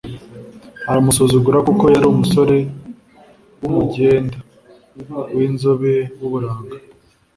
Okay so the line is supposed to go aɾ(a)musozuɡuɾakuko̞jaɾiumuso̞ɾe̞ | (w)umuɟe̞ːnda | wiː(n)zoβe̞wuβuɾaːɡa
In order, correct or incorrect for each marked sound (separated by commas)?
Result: correct, correct, correct